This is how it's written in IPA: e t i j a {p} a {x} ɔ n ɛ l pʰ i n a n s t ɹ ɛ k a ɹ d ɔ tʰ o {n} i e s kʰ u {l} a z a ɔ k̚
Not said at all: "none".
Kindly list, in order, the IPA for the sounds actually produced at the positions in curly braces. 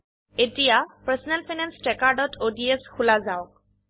p, s, d, l

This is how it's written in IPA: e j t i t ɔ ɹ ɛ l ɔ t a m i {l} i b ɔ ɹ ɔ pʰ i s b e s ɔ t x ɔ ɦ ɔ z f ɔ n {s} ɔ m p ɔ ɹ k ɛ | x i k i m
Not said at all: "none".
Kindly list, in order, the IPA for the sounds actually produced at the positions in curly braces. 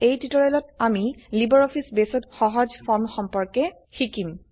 l, x

